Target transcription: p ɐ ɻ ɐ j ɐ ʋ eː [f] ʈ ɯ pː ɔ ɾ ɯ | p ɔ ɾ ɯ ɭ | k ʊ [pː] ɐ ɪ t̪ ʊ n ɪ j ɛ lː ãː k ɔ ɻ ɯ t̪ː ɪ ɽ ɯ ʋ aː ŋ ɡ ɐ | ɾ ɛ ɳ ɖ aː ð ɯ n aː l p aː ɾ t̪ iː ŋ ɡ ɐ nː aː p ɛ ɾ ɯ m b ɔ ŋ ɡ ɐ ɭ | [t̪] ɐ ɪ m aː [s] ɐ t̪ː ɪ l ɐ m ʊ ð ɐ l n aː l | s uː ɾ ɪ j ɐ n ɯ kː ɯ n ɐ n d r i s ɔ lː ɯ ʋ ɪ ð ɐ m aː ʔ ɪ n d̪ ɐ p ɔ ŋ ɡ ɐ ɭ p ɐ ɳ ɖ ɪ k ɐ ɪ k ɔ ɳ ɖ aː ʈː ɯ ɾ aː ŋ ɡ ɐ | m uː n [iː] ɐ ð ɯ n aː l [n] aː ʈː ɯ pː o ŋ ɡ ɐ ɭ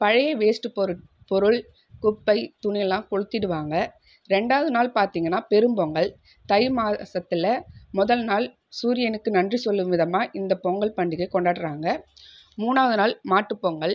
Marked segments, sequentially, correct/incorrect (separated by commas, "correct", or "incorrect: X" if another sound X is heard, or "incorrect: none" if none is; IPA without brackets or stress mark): incorrect: s, correct, correct, correct, incorrect: aː, incorrect: m